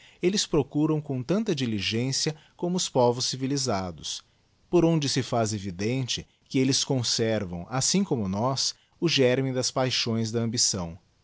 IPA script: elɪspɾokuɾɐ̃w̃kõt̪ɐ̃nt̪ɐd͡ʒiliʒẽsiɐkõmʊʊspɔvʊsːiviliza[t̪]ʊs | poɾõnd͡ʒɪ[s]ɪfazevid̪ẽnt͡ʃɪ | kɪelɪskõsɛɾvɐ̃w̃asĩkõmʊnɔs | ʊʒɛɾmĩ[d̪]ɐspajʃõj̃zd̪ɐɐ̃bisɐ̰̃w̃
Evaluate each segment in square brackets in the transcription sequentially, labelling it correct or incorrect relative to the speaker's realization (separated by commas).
incorrect, correct, correct